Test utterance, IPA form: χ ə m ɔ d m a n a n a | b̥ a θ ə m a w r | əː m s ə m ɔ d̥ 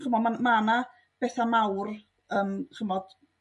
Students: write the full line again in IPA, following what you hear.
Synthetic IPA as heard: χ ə m ɔ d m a m a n a | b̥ ɛ θ a m a w r | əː m χ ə m ɔ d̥

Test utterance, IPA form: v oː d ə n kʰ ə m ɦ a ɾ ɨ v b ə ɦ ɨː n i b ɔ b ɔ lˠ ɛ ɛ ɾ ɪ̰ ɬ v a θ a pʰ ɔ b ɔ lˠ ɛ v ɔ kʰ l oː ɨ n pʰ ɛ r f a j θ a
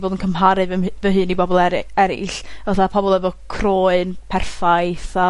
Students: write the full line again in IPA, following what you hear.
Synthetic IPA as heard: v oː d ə n kʰ ə m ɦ a ɾ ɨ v v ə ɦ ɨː n i b ɔ b ɔ lˠ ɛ ɛ ɾ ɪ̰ ɬ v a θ a pʰ ɔ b ɔ lˠ ɛ v ɔ kʰ r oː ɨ n pʰ ɛ r f a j θ a

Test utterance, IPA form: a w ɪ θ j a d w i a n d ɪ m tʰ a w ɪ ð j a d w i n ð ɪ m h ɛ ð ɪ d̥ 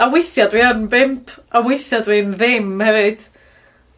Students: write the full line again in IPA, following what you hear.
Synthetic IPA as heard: a w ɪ θ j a d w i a n b ɪ m pʰ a w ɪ θ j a d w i n ð ɪ m h ɛ v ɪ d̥

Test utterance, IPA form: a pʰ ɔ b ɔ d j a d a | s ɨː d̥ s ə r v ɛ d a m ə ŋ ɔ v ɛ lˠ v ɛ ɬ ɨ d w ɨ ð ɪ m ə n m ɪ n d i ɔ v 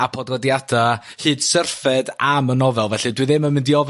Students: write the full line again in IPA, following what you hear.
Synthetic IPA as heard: a pʰ ɔ d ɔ d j a d a | h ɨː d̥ s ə r f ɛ d a m ə n ɔ v ɛ lˠ v ɛ ɬ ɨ d w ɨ ð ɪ m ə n m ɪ n d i ɔ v

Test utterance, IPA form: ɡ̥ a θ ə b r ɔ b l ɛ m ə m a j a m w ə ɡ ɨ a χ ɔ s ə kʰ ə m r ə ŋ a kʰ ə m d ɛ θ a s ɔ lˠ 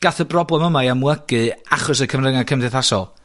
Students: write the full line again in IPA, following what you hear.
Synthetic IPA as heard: ɡ̥ a θ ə b r ɔ b l ɛ m ə m a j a m w ə ɡ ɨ a χ ɔ s ə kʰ ə m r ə ŋ a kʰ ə m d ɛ θ a s ɔ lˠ

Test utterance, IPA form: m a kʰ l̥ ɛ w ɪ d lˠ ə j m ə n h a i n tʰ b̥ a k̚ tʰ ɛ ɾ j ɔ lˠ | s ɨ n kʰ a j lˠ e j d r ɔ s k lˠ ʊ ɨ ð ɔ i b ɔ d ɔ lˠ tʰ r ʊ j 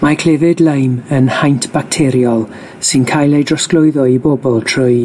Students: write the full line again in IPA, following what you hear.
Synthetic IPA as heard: m a kʰ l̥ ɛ v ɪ d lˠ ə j m ə n h a j n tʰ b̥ a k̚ tʰ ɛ ɾ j ɔ lˠ | s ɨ n kʰ a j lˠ e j d r ɔ s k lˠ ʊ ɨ ð ɔ i b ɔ b ɔ lˠ tʰ r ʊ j

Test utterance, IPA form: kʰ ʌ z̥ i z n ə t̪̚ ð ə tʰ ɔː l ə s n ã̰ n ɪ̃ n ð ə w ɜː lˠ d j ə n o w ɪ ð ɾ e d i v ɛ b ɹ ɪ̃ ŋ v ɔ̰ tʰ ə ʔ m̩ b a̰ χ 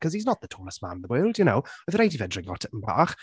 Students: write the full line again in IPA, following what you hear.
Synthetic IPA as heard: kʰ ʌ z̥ i z n ə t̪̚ ð ə tʰ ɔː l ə s m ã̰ n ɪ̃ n ð ə w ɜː lˠ d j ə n o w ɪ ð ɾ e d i v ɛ d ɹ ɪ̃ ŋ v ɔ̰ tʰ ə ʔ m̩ b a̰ χ

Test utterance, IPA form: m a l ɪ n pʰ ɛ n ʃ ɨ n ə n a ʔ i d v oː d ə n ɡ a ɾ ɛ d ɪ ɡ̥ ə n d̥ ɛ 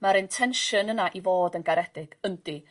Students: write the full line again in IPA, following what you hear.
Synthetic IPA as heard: m a ɾ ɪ n tʰ ɛ n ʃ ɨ n ə n a ʔ i v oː d ə n ɡ a ɾ ɛ d ɪ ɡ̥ ə n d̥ i

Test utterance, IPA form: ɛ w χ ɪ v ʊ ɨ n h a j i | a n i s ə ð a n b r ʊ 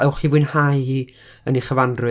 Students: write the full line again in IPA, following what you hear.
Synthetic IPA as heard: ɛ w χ i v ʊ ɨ n h a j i | ə n i χ ə v a n d r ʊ

